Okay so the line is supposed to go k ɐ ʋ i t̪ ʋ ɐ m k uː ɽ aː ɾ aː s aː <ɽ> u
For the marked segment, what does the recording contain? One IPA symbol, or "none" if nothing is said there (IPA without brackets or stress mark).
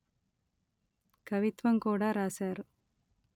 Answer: ɾ